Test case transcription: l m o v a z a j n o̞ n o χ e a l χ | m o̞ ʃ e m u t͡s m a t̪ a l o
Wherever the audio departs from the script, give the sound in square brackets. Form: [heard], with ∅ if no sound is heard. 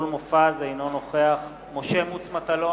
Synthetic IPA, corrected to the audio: l m o [f] a z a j n o̞ n o χ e a [∅] χ | m o̞ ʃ e m u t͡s m a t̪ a l o

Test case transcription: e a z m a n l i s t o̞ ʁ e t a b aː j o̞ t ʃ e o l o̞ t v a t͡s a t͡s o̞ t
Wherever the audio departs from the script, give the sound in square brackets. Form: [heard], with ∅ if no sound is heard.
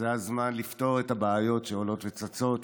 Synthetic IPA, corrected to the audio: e a z m a n l i [f] t o̞ ʁ e t a b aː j o̞ t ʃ e o l o̞ t v [e] t͡s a t͡s o̞ t

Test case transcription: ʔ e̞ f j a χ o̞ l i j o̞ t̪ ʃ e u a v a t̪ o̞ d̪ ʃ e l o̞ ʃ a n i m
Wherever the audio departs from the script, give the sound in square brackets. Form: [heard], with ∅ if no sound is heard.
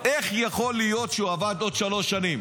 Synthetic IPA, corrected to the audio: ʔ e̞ [χ] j a χ o̞ l i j o̞ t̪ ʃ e u a v a [d̪] o̞ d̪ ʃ [a] l o̞ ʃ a n i m

